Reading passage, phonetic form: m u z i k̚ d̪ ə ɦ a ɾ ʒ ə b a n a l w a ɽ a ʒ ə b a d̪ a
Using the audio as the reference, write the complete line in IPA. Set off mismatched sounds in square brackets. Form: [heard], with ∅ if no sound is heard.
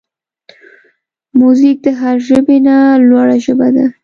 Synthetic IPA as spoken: m u z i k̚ d̪ ə ɦ a ɾ ʒ ə b [e] n a l w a ɽ a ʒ ə b a d̪ a